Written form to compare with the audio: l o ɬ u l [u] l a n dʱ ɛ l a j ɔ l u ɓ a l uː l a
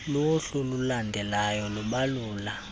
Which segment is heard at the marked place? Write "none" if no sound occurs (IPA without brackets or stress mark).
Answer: u